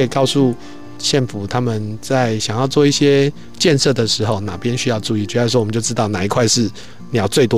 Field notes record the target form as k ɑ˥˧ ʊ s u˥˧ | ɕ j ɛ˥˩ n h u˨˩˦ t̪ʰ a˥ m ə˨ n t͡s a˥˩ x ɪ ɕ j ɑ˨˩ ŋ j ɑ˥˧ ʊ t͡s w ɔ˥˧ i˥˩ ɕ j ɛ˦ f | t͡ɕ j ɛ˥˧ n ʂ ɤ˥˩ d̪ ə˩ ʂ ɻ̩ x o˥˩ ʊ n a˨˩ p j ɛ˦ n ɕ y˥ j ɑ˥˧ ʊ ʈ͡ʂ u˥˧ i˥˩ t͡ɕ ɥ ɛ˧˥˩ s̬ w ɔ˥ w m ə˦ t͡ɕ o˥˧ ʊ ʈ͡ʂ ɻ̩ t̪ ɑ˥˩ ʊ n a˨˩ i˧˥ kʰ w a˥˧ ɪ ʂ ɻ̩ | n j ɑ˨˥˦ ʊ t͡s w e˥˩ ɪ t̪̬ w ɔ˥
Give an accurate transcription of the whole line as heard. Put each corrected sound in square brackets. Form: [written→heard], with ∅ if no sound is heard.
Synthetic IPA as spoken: k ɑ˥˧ ʊ s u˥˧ | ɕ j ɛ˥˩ n [h→f] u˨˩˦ t̪ʰ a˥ m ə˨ n t͡s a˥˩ [x→∅] ɪ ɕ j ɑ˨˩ ŋ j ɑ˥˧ ʊ t͡s w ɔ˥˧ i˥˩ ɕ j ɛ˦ [f→∅] | t͡ɕ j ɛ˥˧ n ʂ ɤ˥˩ d̪ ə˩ ʂ ɻ̩ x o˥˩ ʊ n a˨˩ p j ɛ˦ n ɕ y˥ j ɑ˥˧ ʊ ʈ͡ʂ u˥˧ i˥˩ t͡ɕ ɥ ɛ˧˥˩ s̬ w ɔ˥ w m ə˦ t͡ɕ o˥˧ ʊ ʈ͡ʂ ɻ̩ t̪ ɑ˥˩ ʊ n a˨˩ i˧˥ kʰ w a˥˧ ɪ ʂ ɻ̩ | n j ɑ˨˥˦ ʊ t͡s w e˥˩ ɪ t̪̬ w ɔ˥